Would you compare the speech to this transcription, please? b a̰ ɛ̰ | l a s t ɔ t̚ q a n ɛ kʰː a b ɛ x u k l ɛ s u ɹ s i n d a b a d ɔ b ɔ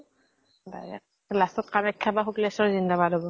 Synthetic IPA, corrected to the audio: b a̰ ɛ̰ | l a s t ɔ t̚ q a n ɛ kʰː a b a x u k l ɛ s ɔ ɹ z i n d a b a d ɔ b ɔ

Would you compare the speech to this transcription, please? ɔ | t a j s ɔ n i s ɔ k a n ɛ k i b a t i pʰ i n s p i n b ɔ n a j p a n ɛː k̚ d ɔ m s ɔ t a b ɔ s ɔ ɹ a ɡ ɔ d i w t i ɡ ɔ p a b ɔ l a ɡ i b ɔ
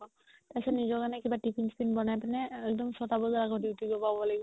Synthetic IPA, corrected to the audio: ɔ | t a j s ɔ n i z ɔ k a n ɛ k i b a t i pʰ i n s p i n b ɔ n a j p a n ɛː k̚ d ɔ m s ɔ t a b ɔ z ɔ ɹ a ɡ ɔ d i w t i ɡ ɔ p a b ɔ l a ɡ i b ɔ

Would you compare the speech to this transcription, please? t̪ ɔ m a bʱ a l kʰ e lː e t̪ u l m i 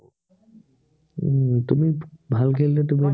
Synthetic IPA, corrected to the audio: t̪ u m i bʱ a l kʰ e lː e t̪ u m i

